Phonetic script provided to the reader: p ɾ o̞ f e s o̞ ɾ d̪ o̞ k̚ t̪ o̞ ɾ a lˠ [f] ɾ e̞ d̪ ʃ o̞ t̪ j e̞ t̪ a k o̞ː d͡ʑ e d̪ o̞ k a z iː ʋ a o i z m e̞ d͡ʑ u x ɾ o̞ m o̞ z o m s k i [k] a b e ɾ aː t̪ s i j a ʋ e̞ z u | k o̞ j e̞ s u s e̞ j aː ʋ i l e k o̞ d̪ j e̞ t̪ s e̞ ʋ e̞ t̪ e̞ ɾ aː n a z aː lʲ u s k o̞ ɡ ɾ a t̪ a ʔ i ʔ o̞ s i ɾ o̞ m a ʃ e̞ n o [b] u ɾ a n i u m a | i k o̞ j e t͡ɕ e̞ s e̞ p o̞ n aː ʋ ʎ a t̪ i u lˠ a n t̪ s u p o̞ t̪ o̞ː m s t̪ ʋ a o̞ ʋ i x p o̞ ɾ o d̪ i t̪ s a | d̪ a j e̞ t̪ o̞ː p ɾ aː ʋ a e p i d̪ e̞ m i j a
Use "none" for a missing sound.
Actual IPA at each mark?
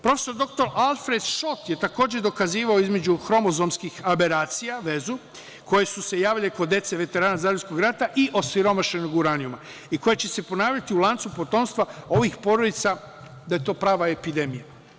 f, x, ɡ

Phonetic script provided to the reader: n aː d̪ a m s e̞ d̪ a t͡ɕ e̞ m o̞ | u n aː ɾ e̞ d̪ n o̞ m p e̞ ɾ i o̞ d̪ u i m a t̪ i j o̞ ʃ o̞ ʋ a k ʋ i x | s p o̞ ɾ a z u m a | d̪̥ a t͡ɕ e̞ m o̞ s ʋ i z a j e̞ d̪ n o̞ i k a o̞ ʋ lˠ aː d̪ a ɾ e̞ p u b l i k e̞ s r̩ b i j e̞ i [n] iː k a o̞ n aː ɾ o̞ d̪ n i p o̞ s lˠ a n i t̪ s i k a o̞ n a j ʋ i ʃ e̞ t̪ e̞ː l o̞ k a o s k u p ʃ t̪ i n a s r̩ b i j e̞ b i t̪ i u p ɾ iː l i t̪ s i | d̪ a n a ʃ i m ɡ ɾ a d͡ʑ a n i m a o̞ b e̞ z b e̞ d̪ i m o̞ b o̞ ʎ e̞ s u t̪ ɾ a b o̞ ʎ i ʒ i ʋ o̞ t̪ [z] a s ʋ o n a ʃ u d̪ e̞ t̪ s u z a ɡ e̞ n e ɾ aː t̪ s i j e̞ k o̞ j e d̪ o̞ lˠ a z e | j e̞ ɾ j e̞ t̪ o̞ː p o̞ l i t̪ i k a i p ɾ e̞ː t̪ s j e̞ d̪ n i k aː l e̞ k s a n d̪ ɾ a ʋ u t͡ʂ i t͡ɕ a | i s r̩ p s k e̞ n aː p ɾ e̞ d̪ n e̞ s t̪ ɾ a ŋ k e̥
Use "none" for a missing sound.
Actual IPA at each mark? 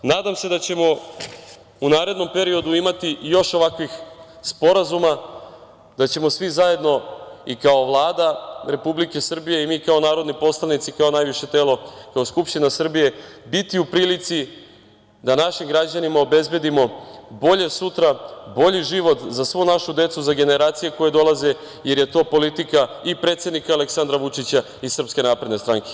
m, z

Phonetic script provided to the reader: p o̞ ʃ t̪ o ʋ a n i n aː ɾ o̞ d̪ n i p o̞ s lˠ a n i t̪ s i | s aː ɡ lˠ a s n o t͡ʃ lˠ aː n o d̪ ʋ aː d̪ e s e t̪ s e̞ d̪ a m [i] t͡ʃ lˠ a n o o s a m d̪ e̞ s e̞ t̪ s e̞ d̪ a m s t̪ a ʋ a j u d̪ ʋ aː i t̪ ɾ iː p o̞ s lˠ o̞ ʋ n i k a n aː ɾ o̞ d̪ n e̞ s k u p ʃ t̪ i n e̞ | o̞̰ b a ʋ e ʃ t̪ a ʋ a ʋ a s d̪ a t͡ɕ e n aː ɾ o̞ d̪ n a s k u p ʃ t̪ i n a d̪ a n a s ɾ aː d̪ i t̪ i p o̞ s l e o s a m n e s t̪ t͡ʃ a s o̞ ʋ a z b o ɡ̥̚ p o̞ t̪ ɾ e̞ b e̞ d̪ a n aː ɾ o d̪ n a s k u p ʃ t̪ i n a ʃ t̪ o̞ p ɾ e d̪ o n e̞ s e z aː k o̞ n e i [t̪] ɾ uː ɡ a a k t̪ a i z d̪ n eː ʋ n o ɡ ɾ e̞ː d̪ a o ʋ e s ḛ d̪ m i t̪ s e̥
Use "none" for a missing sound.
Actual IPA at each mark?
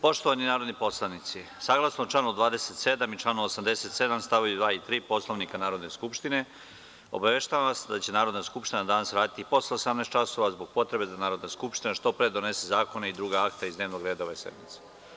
i, d̪

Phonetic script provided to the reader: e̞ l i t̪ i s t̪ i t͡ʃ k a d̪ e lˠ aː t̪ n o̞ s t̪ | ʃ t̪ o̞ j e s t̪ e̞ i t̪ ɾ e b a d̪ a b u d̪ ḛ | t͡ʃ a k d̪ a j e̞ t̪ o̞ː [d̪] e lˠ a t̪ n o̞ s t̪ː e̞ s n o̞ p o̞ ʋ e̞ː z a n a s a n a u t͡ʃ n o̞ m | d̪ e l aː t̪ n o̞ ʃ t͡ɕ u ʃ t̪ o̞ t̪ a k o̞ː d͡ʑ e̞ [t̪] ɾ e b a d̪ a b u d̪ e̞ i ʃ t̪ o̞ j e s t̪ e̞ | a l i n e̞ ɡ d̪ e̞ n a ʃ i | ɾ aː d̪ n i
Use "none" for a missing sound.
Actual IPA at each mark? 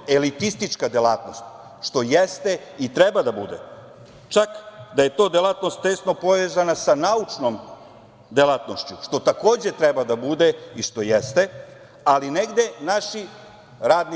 d̪, t̪

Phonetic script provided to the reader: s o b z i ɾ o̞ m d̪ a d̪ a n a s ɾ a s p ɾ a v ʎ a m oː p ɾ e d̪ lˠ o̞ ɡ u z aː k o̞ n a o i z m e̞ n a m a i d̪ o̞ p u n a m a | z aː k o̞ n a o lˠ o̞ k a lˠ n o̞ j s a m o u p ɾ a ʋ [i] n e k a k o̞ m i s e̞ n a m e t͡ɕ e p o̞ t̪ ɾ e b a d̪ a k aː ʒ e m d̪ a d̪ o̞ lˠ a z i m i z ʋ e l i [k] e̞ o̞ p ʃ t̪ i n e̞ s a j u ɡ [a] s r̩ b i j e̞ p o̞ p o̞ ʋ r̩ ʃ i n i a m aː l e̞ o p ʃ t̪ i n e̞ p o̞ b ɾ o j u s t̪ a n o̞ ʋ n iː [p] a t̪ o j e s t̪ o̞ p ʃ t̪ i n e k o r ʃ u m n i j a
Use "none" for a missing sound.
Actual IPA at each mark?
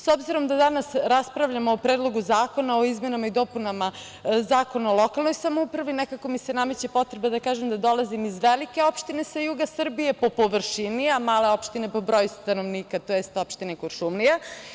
i, k, a, k

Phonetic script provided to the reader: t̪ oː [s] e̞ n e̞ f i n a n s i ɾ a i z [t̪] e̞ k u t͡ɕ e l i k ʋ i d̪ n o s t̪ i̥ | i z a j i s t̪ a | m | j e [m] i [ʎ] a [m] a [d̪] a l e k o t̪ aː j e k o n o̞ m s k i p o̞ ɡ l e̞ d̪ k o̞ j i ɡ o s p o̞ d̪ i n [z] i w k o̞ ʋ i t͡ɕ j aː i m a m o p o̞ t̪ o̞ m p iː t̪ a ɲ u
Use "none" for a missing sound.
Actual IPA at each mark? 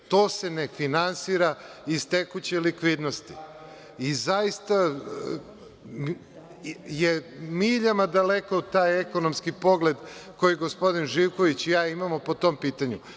s, t̪, m, ʎ, m, d̪, ʒ

